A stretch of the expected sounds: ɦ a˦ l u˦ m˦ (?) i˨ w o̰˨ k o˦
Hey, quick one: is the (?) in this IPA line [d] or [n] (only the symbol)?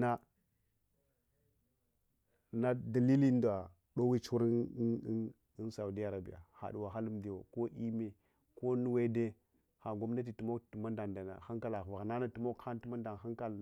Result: d